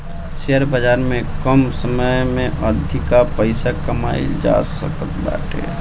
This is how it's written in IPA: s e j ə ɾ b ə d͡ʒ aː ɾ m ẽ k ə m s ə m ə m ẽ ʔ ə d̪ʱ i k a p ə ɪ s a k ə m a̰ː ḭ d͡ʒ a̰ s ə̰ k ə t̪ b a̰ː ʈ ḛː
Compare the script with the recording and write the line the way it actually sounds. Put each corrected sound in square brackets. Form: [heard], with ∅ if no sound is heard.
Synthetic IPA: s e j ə ɾ b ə d͡ʒ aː ɾ m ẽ k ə m s ə m ə m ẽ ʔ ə d̪ʱ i k a p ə ɪ s a k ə m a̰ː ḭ d͡ʒ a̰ s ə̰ k ə t̪ b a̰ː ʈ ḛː